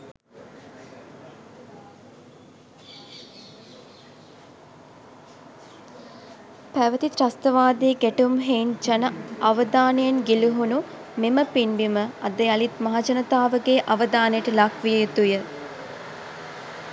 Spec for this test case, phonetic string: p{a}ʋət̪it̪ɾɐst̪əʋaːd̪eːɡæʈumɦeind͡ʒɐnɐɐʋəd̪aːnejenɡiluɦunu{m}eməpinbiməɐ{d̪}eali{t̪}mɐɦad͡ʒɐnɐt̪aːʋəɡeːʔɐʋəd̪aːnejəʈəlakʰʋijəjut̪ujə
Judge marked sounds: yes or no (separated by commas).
no, yes, yes, yes